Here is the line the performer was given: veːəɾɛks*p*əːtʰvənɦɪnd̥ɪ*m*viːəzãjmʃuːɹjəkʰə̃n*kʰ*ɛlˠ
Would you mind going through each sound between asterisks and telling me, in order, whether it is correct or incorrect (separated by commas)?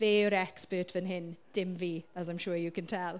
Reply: correct, correct, incorrect